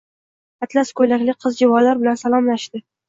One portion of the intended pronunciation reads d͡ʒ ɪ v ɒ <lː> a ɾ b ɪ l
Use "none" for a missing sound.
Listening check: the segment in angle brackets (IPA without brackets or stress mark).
l